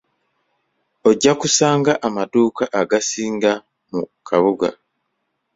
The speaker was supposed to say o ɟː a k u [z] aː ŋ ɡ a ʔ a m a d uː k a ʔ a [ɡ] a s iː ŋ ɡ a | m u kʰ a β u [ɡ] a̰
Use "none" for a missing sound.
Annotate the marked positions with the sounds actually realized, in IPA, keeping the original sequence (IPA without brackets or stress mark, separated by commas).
s, ɡ, ɡ